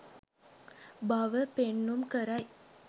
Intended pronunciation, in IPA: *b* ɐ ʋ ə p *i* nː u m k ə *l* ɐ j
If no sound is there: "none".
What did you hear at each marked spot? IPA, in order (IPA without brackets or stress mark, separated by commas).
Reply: b, e, ɾ